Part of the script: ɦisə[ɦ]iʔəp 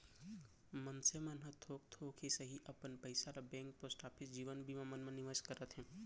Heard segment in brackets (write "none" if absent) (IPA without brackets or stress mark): ɦ